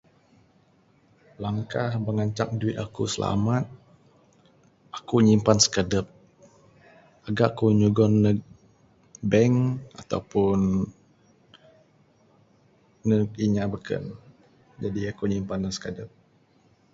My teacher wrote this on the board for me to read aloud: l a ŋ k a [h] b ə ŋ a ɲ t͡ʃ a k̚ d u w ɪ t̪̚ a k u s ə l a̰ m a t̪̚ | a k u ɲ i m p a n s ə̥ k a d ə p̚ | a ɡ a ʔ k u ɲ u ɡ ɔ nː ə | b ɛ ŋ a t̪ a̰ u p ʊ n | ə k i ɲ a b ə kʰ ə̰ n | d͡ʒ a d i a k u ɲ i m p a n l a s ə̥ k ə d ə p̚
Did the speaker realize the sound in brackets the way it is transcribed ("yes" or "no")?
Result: yes